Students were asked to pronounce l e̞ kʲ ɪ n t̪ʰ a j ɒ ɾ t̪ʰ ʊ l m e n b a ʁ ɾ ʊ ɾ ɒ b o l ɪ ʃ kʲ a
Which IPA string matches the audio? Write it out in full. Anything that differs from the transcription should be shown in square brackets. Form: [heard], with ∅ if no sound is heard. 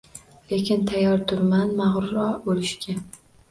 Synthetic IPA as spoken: l e̞ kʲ ɪ n t̪ʰ a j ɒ ɾ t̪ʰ ʊ [ɾ] m [a] n [m] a ʁ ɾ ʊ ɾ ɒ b o l ɪ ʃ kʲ a